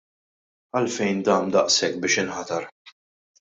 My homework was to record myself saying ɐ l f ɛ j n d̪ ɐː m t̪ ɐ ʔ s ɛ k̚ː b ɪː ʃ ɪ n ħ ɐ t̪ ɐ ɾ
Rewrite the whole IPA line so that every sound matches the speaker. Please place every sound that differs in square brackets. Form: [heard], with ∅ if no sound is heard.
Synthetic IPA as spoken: ɐ l f ɛ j n d̪ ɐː m [d̪] ɐ ʔ s ɛ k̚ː b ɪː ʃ ɪ n ħ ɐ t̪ ɐ ɾ